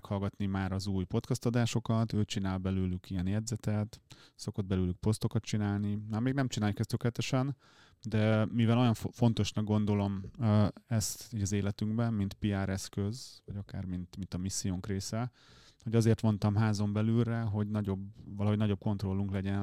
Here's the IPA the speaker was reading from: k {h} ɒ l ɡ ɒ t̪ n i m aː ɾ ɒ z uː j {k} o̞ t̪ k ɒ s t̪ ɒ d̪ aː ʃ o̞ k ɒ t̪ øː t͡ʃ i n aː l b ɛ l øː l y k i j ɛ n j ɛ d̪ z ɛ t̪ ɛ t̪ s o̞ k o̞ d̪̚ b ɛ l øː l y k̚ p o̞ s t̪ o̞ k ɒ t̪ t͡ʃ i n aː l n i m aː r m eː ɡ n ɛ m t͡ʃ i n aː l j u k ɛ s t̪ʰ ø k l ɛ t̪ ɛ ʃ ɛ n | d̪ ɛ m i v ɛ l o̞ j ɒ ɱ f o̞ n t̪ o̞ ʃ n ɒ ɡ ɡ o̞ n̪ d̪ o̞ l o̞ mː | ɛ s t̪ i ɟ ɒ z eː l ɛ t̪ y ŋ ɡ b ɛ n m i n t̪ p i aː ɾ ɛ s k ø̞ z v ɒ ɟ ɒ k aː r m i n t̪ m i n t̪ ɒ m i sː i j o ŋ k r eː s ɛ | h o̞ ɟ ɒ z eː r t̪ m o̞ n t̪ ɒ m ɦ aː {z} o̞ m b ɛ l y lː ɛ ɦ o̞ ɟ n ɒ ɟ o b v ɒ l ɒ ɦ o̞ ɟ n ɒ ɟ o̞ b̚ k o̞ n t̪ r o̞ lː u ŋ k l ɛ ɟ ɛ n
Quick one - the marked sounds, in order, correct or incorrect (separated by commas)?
correct, incorrect, correct